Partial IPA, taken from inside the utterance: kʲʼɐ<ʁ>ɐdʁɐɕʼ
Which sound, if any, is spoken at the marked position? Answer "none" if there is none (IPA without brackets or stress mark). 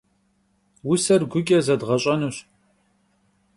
z